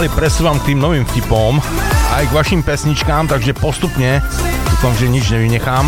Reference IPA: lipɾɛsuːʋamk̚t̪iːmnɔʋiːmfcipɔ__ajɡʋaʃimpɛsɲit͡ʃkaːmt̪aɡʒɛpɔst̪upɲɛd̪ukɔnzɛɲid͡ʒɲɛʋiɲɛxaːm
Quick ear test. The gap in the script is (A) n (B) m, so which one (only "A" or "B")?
B